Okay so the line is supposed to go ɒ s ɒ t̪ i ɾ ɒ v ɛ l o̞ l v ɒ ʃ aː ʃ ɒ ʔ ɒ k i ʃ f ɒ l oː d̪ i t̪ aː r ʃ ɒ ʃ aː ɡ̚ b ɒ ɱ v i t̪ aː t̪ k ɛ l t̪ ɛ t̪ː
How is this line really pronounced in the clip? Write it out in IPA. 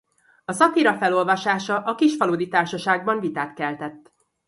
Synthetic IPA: ɒ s ɒ t̪ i ɾ ɒ f ɛ l o̞ l v ɒ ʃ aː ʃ ɒ ʔ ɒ k i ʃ f ɒ l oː d̪ i t̪ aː r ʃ ɒ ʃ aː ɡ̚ b ɒ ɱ v i t̪ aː t̪ k ɛ l t̪ ɛ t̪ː